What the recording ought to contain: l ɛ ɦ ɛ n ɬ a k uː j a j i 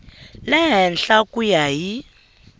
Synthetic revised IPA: l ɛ ɦ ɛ n ɬ a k u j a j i